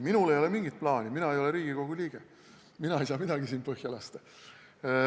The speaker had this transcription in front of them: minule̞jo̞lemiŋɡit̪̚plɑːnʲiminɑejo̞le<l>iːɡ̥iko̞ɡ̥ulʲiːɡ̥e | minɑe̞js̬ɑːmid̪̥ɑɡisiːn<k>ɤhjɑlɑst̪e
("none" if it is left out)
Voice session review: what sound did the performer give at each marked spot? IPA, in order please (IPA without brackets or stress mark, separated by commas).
ɾ, p